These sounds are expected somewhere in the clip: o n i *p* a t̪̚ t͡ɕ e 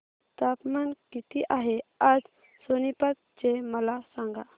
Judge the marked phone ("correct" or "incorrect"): correct